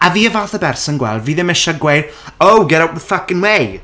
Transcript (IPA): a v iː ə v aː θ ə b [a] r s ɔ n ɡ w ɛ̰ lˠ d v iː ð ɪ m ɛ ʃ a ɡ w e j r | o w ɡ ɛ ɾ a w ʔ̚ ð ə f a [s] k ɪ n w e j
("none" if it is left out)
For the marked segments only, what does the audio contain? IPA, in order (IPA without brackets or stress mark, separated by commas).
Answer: ɛ, none